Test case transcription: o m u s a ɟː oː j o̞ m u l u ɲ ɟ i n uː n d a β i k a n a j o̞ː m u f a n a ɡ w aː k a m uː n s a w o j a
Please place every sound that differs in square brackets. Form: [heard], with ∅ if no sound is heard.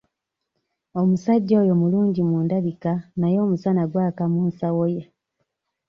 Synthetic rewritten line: o m u s a ɟː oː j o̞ m u l [uː] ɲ ɟ i [m] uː n d a β i k a n a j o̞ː m u [s] a n a ɡ w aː k a m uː n s a w o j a